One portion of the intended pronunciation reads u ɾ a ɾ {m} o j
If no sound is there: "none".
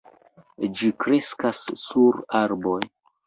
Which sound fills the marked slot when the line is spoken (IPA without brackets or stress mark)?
b